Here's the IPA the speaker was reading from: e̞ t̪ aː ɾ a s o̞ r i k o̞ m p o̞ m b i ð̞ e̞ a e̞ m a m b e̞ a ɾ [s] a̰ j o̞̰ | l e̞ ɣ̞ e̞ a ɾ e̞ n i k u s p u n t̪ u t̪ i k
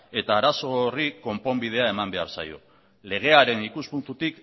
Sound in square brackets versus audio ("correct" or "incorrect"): correct